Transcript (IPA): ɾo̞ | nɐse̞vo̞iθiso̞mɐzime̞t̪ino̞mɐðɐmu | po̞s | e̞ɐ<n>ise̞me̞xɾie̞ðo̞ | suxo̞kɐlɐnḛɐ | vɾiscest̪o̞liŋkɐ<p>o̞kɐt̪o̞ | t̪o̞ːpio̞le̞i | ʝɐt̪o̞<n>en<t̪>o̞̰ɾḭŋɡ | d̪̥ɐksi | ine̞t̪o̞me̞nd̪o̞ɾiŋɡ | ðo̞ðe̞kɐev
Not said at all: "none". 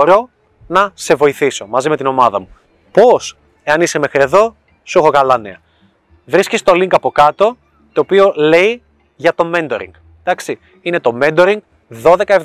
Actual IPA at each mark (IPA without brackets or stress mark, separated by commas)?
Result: n, p, m, d̪